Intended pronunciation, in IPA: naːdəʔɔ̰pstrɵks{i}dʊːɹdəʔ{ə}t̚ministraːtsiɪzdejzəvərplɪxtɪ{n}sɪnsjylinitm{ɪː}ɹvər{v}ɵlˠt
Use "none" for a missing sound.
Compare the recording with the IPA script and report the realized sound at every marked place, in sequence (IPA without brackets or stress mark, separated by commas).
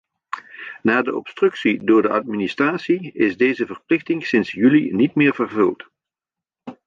i, ɑ, ŋ, ɪː, v